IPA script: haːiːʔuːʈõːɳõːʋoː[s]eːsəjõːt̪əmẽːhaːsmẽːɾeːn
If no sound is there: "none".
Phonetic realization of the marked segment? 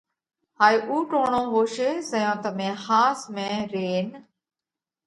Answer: ʃ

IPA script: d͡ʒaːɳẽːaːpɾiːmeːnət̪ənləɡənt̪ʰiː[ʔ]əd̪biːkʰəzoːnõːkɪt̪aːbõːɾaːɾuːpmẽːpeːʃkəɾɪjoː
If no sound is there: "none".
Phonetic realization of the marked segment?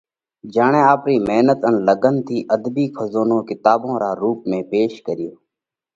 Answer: ʔ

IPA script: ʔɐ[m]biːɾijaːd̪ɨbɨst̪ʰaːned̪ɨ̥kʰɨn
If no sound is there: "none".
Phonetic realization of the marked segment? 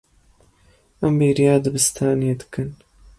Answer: m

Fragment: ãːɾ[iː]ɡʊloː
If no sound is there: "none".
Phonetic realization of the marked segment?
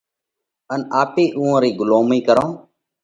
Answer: iː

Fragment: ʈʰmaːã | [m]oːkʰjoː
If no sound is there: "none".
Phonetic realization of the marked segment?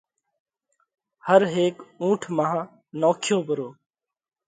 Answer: n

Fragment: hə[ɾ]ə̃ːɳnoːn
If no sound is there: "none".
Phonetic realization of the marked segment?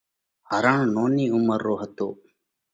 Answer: ɾ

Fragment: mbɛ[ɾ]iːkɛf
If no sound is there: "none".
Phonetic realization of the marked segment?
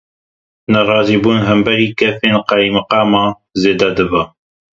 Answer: ɾ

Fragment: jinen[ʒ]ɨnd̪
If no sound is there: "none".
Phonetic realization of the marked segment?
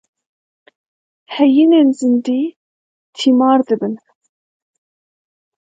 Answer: z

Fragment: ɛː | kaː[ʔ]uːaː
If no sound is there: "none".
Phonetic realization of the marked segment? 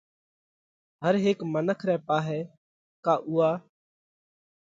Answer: ʔ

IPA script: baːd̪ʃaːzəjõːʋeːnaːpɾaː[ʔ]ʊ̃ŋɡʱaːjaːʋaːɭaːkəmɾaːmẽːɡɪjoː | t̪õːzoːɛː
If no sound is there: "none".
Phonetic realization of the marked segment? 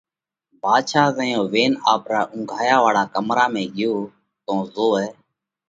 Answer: ʔ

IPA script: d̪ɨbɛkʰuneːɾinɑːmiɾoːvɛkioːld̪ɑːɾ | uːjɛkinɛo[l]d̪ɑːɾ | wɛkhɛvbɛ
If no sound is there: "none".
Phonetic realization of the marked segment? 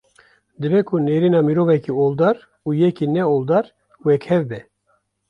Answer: l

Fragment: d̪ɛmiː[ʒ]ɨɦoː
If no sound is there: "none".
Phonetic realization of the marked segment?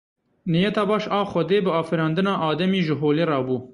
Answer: ʒ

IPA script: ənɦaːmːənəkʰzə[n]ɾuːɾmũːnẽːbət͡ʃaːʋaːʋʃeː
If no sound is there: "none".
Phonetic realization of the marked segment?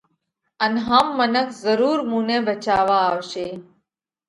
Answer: none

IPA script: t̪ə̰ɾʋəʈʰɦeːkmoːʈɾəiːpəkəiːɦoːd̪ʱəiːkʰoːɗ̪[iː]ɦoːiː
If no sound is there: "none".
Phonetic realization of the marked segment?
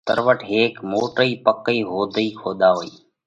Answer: aː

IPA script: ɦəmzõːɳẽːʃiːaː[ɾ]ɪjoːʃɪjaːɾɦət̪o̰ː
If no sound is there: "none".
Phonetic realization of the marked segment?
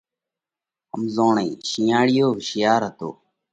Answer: ɽ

